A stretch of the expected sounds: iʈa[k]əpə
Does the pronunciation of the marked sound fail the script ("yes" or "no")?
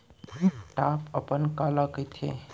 yes